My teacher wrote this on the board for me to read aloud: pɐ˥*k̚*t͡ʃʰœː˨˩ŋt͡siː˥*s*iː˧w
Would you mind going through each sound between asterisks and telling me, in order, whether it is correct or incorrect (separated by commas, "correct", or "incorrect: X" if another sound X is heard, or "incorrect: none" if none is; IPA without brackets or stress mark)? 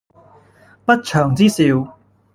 incorrect: t̚, correct